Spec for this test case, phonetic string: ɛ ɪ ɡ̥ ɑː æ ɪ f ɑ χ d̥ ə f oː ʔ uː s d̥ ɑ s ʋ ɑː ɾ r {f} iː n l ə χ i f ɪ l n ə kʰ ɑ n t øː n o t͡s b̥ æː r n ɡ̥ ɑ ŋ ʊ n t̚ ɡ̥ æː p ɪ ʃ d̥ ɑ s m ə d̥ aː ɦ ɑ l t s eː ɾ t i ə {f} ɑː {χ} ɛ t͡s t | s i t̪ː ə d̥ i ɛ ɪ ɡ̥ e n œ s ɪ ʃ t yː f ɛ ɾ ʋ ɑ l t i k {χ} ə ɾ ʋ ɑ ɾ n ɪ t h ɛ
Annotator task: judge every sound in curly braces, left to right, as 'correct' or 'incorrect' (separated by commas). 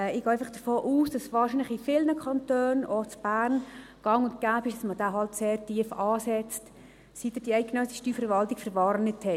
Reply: incorrect, correct, incorrect, incorrect